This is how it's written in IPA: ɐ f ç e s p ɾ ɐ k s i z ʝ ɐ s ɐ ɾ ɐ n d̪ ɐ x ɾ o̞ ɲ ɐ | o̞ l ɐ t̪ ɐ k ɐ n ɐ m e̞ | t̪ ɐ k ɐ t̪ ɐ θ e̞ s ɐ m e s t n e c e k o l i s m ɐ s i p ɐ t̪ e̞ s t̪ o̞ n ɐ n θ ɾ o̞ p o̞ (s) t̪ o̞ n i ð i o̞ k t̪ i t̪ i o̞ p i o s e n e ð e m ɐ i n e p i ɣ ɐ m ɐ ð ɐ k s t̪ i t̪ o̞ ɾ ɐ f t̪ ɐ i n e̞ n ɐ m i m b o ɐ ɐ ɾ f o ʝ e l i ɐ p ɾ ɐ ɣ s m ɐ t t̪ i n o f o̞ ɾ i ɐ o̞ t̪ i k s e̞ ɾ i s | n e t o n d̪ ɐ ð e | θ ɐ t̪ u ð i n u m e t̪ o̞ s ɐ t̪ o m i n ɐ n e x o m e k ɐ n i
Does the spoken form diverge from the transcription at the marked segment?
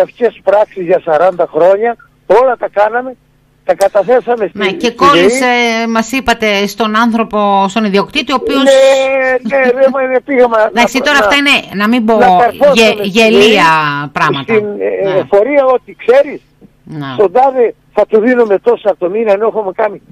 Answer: no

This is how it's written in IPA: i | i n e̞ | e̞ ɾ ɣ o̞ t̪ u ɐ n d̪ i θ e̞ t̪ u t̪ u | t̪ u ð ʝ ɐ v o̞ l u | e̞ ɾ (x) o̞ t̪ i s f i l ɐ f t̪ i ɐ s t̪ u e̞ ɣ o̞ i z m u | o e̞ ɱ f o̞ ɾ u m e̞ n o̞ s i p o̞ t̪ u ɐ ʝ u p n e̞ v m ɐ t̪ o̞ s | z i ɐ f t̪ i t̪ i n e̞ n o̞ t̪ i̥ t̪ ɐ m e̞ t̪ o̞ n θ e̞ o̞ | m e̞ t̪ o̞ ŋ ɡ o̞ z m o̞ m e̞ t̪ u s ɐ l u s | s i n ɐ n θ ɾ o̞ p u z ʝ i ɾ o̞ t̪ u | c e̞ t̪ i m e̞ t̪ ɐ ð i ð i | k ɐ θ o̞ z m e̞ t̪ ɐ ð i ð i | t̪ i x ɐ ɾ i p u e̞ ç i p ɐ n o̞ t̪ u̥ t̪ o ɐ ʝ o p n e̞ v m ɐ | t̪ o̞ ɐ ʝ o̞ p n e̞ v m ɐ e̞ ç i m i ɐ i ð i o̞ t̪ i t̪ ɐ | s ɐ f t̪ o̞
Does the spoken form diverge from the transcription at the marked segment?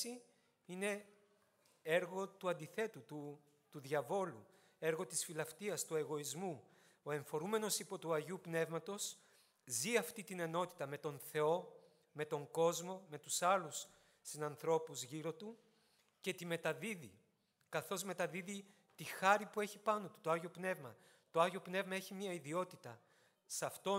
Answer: yes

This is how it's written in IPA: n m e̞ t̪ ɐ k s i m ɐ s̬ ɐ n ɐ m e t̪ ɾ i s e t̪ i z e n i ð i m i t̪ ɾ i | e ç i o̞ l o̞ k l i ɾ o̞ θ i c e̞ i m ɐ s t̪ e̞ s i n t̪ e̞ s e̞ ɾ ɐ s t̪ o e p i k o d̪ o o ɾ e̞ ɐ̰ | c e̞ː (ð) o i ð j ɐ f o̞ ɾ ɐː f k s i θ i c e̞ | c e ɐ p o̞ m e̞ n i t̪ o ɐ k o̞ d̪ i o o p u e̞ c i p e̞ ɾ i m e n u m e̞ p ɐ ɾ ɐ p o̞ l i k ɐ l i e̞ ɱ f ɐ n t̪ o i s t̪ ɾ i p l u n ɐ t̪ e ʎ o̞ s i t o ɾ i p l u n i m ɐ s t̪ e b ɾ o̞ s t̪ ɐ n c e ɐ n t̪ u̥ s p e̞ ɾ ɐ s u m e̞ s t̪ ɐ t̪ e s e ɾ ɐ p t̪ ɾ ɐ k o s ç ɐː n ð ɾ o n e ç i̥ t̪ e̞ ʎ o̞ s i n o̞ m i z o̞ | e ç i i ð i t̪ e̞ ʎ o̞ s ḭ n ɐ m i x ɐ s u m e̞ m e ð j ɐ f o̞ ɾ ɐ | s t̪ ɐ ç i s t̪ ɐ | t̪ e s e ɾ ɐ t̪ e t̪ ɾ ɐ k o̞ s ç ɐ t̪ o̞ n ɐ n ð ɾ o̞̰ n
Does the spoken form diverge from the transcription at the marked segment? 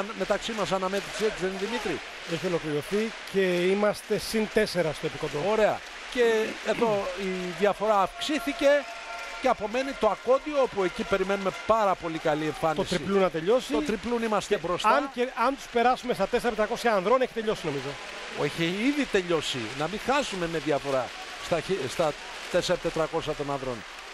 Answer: no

